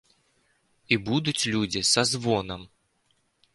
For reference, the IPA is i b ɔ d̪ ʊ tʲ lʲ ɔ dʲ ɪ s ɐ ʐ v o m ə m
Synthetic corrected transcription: i b u d̪ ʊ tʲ lʲ u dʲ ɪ s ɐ z v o n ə m